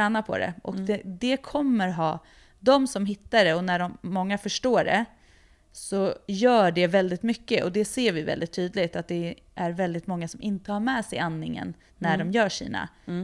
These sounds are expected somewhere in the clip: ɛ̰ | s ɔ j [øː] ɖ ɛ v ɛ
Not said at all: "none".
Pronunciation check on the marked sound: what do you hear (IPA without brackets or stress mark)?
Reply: œː